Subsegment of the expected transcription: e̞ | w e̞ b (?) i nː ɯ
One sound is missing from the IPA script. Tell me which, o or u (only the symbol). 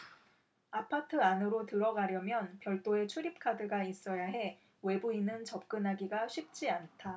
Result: u